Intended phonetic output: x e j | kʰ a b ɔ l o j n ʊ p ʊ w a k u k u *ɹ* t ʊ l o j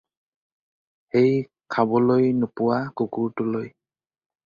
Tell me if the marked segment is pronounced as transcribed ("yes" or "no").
yes